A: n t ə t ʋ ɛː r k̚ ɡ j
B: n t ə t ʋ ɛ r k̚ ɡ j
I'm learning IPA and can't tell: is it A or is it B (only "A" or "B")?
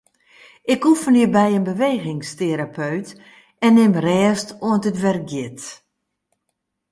B